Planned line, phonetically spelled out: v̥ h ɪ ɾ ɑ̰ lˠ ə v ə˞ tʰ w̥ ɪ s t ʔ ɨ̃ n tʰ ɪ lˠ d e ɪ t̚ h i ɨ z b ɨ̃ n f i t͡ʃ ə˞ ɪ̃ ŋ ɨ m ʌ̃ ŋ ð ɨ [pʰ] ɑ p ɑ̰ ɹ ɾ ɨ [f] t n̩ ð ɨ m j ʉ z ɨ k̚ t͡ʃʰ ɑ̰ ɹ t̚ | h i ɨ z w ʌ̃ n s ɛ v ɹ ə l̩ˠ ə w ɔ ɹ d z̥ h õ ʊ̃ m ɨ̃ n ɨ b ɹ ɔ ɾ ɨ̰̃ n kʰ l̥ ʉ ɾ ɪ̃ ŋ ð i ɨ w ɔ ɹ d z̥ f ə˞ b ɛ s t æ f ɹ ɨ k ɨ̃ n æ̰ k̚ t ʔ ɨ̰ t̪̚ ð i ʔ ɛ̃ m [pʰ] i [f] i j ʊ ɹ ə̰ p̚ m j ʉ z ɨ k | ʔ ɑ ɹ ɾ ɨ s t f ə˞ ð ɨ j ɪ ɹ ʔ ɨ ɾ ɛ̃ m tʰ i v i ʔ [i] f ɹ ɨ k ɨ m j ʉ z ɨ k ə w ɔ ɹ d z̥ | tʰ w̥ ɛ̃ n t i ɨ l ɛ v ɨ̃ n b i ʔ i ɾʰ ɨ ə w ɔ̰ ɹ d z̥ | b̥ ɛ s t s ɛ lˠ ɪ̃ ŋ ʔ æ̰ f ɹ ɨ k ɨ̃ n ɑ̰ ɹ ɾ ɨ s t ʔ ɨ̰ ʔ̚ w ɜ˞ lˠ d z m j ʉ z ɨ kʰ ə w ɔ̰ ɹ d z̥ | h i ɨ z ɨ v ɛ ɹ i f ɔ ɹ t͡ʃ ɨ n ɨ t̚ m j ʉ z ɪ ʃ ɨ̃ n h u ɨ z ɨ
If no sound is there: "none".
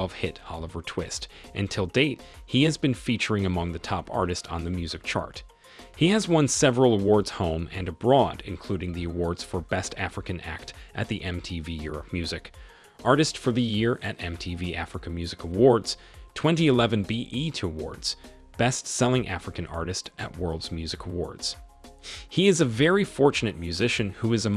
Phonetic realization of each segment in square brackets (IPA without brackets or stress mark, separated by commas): tʰ, s, tʰ, v, æ